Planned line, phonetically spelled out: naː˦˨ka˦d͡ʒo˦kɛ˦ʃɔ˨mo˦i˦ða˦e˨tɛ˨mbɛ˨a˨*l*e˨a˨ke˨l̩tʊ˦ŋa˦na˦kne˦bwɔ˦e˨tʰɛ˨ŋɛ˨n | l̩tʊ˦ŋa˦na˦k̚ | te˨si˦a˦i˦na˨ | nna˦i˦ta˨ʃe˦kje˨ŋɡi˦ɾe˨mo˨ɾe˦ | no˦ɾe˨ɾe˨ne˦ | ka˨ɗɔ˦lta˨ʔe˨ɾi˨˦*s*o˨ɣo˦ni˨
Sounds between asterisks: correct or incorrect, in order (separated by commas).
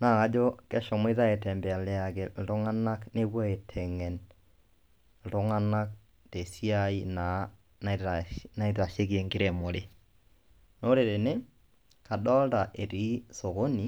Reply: correct, correct